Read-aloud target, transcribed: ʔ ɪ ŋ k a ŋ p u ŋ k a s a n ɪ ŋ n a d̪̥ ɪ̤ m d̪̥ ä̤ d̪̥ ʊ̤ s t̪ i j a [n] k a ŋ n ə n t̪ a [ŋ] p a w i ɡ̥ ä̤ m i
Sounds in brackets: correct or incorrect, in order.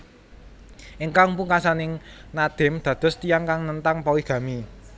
incorrect, correct

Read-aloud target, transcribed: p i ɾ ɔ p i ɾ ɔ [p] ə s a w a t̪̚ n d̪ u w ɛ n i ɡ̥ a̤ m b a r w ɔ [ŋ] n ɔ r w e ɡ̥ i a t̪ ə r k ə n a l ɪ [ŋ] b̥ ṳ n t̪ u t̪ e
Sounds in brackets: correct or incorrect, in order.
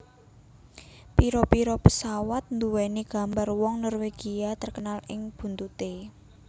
correct, correct, correct

